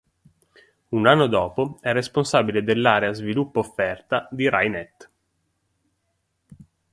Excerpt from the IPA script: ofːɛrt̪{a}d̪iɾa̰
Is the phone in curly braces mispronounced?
no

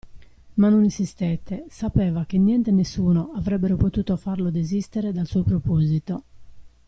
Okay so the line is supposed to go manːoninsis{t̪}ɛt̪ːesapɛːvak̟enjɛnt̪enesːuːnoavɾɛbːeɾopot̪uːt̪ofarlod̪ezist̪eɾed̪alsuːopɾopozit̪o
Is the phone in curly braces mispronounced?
no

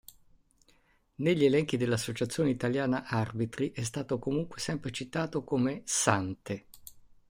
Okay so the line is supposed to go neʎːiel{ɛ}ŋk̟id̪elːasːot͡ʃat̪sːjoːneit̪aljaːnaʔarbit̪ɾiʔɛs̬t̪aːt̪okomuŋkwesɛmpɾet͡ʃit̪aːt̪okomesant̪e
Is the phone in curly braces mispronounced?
no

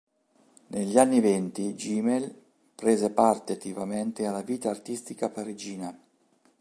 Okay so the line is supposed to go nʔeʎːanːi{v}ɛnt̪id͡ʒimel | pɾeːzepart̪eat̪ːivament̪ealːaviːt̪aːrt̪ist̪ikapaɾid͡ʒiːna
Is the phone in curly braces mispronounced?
no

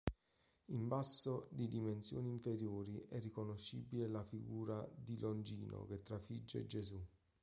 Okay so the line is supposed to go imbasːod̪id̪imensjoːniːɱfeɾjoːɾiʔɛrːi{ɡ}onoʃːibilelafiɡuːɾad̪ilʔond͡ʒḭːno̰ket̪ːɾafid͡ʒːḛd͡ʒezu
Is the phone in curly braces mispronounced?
yes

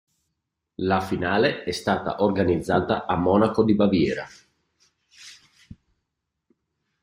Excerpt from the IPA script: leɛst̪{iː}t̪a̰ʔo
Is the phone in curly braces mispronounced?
yes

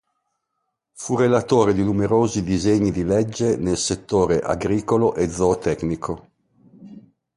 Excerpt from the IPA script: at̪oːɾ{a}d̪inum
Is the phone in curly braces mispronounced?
yes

